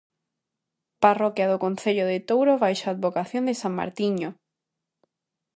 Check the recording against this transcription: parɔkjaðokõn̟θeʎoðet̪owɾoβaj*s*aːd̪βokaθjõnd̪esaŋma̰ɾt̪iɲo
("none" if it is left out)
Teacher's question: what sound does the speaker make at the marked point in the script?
ʃ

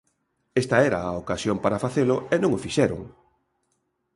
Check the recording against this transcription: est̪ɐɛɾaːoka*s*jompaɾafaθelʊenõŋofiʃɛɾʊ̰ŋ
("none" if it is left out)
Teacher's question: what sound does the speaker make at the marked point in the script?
s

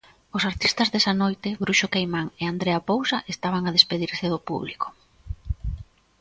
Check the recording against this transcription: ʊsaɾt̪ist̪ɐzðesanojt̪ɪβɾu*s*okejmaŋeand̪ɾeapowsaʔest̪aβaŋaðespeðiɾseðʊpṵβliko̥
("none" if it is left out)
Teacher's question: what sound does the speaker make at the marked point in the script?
ʃ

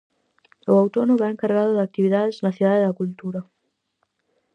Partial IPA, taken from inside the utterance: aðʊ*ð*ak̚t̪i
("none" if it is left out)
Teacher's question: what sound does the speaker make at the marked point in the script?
ð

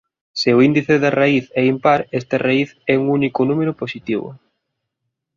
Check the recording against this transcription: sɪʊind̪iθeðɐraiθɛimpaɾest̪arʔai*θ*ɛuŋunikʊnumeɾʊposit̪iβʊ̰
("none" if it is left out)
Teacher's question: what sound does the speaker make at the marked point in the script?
θ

